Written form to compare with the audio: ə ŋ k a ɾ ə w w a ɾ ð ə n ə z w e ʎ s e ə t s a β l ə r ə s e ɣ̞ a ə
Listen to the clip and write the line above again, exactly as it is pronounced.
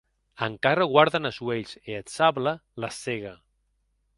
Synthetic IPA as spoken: ə ŋ k a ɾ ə ɣ w a ɾ ð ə n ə z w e ʎ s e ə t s a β l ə l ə s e ɣ̞ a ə